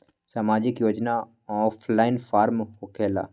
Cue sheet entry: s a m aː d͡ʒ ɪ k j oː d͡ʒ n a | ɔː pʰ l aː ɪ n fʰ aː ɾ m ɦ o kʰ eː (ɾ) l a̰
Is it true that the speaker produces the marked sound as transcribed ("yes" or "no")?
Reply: no